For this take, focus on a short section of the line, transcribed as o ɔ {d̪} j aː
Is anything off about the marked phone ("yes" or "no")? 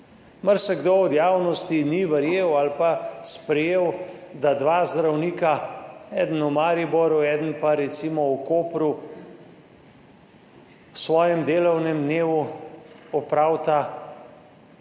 no